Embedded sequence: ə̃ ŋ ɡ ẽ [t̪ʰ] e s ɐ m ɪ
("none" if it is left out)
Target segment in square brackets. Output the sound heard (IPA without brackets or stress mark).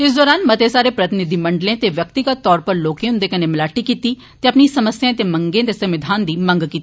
t̪